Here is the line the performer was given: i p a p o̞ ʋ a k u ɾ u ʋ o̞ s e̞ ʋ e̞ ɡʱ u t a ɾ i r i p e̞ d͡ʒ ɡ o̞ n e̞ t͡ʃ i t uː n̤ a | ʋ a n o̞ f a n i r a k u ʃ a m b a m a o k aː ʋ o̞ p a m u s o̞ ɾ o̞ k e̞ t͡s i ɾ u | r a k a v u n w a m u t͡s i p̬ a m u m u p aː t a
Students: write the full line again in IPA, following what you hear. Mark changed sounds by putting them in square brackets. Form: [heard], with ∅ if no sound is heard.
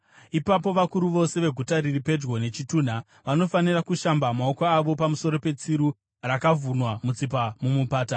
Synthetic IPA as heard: i p a p o̞ ʋ a k u ɾ u ʋ o̞ s e̞ ʋ e̞ ɡʱ u t a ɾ i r i p e̞ d͡ʒ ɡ o̞ n e̞ t͡ʃ i t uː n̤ a | ʋ a n o̞ f a n i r a k u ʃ a m b a m a o k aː ʋ o̞ p a m u s o̞ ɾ o̞ [p] e̞ t͡s i ɾ u | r a k a v u n w a m u t͡s i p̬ a m u m u p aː t a